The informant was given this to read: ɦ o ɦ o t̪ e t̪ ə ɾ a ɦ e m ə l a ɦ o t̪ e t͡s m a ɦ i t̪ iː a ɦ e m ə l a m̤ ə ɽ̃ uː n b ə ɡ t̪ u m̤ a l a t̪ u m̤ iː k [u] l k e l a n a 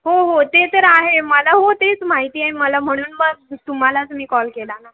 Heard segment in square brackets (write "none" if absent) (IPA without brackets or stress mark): ɔ